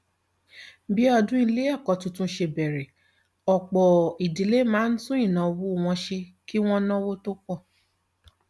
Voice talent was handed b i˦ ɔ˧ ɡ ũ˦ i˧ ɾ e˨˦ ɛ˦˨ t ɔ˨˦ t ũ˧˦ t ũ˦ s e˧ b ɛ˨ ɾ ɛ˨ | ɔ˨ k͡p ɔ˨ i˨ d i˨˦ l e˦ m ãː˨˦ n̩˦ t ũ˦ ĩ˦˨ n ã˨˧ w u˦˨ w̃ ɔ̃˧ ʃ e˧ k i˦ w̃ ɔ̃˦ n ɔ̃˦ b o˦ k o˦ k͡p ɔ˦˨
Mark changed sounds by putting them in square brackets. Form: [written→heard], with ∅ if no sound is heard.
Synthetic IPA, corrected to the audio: b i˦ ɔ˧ [ɡ→d] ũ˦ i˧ [ɾ→l] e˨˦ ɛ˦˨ [t→k] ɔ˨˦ t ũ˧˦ t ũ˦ [s→ʃ] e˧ b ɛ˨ ɾ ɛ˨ | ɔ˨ k͡p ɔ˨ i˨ d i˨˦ l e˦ m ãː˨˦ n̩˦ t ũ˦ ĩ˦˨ n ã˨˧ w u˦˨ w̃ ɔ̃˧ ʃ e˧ k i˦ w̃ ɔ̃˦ n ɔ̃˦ [b→w] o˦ [k→t] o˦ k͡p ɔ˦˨